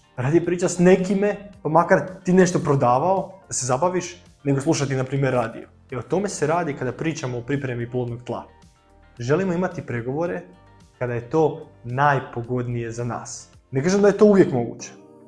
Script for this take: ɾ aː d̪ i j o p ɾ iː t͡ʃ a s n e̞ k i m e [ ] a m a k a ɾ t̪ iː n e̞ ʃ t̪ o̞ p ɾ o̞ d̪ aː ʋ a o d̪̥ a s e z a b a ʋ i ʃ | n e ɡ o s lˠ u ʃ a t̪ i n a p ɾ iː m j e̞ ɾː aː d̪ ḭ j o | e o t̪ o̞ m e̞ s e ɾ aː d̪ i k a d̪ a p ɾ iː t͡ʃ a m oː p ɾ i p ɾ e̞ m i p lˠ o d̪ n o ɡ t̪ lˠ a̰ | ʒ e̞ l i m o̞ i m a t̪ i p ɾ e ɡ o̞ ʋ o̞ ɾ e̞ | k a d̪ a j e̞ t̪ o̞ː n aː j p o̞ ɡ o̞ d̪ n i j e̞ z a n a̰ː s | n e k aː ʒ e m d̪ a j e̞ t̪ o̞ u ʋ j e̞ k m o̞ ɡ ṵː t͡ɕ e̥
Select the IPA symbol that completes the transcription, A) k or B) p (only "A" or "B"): B